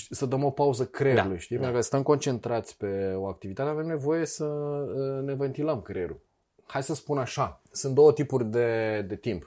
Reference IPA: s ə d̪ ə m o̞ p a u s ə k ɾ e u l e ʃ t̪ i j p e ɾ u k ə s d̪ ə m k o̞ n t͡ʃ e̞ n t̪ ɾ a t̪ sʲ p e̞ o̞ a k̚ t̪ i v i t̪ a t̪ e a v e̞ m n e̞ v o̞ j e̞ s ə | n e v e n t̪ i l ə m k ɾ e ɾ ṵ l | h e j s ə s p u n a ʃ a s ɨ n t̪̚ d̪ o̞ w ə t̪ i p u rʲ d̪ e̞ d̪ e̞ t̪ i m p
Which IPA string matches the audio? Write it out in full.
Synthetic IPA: s ə d̪ ə m o̞ p a u z ə k ɾ e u l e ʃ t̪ i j p e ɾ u k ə s t̪ ə m k o̞ n t͡ʃ e̞ n t̪ ɾ a t̪ sʲ p e̞ o̞ a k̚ t̪ i v i t̪ a t̪ e a v e̞ m n e̞ v o̞ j e̞ s ə | n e v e n t̪ i l ə m k ɾ e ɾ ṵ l | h a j s ə s p u n a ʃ a s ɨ n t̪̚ d̪ o̞ w ə t̪ i p u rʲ d̪ e̞ d̪ e̞ t̪ i m p